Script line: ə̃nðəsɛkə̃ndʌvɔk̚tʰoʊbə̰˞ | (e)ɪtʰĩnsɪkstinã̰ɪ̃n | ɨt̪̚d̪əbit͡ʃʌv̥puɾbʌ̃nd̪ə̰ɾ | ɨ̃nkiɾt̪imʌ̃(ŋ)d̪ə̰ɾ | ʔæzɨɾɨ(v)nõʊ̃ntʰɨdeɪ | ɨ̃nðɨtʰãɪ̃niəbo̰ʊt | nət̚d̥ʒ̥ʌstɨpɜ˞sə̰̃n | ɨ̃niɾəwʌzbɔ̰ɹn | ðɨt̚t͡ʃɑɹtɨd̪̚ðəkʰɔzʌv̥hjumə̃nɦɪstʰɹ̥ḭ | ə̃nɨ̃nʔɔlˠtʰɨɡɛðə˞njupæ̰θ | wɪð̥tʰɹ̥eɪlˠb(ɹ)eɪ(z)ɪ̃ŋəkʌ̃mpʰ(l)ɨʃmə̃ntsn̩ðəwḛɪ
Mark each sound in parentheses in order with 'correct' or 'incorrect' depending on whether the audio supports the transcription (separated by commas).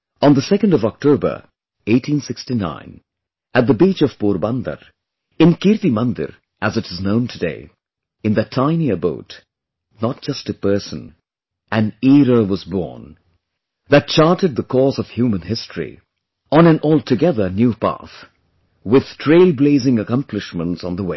correct, incorrect, incorrect, incorrect, correct, correct